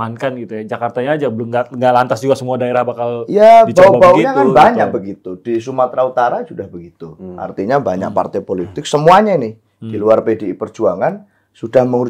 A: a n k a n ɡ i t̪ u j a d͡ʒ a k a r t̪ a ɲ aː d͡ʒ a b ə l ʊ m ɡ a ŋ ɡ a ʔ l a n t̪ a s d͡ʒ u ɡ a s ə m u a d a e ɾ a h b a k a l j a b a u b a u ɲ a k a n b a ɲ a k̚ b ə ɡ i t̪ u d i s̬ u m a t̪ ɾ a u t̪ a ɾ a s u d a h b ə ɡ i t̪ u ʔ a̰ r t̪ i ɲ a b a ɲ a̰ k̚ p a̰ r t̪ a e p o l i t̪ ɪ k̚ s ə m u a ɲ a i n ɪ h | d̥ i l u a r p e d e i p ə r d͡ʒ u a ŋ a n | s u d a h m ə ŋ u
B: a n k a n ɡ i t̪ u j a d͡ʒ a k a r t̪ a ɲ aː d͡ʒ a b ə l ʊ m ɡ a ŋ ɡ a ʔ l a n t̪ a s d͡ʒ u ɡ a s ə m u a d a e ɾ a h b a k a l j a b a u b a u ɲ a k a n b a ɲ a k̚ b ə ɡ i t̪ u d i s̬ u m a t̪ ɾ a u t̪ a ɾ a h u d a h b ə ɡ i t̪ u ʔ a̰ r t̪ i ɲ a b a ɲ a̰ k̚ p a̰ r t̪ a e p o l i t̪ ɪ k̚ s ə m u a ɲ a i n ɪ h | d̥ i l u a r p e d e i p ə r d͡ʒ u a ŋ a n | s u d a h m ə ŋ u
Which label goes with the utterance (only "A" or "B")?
A